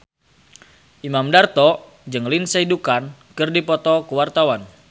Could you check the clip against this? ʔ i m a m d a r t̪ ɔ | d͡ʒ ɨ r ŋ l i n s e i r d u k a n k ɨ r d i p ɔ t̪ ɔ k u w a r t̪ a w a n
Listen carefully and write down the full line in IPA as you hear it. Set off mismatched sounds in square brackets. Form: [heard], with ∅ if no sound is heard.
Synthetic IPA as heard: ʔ i m a m d a r t̪ ɔ | d͡ʒ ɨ [∅] ŋ l i n s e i [∅] d u k a n k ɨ r d i p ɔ t̪ ɔ k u w a r t̪ a w a n